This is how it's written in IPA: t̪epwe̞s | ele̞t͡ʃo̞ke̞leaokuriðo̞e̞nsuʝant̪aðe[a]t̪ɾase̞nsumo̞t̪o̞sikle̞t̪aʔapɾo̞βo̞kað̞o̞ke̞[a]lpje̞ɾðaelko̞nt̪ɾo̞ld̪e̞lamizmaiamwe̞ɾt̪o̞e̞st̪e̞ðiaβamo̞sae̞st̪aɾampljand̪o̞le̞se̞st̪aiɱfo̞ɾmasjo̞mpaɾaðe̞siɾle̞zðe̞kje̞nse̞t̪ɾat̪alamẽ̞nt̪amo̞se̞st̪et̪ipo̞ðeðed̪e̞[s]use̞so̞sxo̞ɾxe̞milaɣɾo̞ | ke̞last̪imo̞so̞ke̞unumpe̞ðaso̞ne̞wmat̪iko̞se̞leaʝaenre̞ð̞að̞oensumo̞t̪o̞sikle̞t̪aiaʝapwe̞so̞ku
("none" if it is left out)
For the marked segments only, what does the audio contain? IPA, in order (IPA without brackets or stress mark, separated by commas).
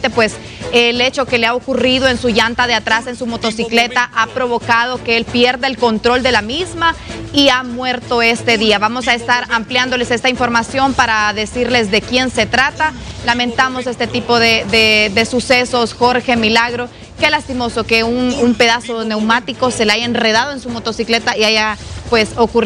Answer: a, e, s